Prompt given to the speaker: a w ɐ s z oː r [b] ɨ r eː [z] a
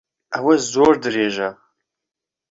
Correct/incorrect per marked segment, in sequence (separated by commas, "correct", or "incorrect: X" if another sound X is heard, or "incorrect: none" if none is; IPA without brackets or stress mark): incorrect: d, incorrect: ʒ